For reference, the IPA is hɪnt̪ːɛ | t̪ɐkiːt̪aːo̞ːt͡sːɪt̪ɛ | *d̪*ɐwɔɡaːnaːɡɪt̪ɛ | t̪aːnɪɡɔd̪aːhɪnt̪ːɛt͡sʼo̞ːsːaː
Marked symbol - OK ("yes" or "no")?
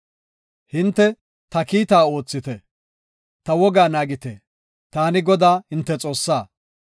no